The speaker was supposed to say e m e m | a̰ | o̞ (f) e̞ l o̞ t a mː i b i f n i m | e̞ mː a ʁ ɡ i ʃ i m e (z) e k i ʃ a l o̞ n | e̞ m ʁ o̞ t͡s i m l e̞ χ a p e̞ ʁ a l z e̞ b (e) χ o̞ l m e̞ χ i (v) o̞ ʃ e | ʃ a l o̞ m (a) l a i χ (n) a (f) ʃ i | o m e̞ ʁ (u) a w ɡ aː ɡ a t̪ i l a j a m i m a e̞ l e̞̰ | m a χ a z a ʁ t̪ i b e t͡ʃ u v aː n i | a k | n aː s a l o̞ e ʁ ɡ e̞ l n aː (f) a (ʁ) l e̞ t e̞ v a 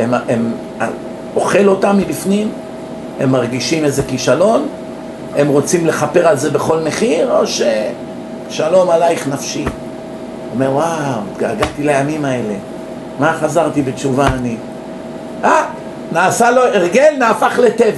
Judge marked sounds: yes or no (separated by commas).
no, yes, yes, no, yes, yes, yes, no, yes, no